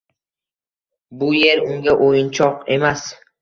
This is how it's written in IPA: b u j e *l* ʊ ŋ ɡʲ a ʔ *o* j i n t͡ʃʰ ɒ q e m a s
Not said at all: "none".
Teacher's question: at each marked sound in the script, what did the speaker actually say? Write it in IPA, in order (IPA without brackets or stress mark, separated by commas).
ɾ, o